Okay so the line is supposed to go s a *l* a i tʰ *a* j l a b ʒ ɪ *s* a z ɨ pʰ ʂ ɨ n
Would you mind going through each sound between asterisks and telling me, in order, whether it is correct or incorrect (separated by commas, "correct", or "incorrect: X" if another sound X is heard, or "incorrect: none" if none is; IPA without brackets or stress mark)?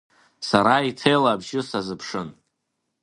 incorrect: ɾ, incorrect: e, correct